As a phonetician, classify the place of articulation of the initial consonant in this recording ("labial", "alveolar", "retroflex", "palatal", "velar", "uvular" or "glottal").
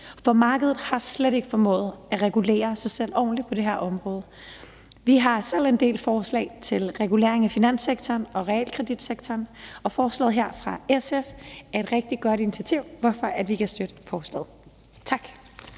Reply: labial